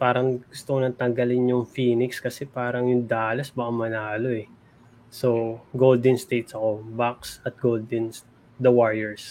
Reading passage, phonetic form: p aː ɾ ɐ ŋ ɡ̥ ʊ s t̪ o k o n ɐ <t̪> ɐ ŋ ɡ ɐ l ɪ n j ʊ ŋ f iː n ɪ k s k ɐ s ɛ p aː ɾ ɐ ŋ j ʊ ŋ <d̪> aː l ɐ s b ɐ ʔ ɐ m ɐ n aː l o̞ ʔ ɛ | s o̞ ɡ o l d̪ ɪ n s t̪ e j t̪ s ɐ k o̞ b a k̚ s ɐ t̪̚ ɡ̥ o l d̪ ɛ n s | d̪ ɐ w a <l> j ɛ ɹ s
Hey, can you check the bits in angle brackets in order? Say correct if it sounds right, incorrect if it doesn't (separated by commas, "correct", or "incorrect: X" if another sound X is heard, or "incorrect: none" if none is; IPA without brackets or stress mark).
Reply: correct, correct, incorrect: ɹ